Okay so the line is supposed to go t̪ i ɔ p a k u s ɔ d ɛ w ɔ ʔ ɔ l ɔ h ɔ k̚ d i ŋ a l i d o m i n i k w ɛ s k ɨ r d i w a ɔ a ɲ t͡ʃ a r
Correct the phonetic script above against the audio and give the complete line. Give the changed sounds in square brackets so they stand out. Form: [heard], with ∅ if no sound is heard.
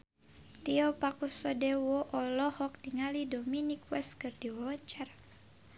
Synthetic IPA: t̪ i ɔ p a k u s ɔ d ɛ w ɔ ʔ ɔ l ɔ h ɔ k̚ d i ŋ a l i d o m i n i k w ɛ s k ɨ r d i w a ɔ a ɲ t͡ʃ a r